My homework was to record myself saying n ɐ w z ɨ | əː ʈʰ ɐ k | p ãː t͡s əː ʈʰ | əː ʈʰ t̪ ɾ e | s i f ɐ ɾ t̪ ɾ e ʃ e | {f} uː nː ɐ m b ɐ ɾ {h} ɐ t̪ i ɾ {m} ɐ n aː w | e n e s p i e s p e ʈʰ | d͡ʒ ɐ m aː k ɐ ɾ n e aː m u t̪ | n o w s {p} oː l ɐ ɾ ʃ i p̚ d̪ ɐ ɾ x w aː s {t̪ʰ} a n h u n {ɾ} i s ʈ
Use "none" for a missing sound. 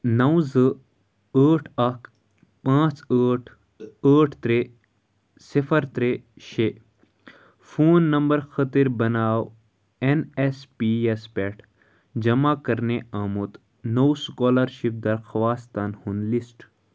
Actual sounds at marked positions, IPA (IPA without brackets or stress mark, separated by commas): f, x, b, k, t̪, l